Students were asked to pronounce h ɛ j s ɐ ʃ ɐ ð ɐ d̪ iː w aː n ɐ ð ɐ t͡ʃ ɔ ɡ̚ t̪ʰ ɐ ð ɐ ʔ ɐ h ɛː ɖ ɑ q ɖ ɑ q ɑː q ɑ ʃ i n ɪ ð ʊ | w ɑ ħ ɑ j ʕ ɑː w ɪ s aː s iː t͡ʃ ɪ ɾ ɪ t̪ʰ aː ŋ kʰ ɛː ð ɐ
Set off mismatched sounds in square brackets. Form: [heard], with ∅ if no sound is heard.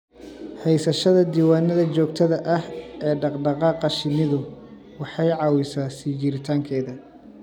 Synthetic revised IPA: h ɛ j s ɐ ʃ ɐ ð ɐ d̪ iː w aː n ɐ ð ɐ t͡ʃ [ɔː] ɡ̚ t̪ʰ ɐ ð ɐ ʔ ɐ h ɛː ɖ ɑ q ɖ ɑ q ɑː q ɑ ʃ [ɪ] n ɪ ð ʊ | w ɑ ħ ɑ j ʕ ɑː w ɪ s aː s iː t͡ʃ ɪ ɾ ɪ t̪ʰ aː ŋ kʰ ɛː ð ɐ